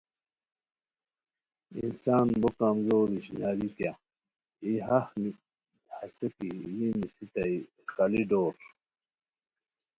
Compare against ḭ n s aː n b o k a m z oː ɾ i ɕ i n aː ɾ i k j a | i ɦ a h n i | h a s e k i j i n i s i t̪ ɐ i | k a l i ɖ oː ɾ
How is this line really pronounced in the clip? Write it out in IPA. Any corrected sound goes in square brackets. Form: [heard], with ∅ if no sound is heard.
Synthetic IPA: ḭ n s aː n b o k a m z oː ɾ i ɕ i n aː ɾ i k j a | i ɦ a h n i | h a s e k i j i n i s i t̪ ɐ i | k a l i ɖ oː ɾ